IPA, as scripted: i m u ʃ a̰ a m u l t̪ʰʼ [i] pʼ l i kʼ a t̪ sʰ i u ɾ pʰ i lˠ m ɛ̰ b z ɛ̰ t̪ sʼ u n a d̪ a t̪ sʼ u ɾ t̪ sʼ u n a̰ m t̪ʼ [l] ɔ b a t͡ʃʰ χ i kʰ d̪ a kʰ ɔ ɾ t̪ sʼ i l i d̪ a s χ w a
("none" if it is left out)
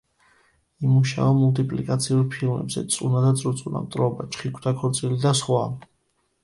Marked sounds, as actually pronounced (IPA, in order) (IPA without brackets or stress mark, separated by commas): i, ɾ